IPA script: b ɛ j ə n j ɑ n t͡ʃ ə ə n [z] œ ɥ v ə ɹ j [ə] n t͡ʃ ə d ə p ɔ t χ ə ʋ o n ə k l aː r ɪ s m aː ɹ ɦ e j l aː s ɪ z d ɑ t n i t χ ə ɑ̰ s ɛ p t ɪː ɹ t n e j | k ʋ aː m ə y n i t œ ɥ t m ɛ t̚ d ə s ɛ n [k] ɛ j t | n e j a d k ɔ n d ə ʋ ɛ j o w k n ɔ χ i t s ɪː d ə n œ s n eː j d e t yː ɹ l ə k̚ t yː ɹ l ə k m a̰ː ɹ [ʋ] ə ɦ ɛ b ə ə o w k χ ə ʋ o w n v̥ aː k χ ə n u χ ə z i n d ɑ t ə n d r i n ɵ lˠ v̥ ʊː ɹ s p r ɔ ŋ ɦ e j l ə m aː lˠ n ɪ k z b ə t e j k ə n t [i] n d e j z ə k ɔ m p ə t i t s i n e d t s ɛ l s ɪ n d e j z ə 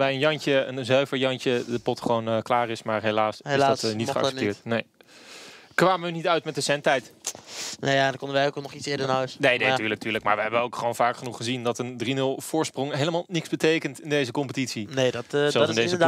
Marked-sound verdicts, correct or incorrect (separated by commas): correct, incorrect, incorrect, correct, incorrect